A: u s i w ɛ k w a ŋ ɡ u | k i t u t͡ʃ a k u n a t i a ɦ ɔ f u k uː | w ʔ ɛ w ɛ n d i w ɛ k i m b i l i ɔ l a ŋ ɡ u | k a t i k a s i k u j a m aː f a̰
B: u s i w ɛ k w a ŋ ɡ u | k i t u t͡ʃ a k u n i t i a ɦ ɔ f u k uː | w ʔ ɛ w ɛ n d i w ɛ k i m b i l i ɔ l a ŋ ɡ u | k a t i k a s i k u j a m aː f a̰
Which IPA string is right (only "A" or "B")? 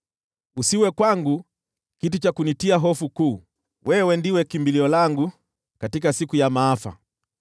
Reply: B